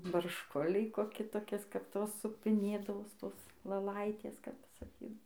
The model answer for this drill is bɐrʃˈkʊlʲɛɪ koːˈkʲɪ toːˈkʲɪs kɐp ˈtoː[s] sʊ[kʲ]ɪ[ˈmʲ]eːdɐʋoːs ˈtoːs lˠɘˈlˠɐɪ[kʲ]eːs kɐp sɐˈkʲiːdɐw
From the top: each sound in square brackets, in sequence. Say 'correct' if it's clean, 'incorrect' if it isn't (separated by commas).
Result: correct, incorrect, incorrect, incorrect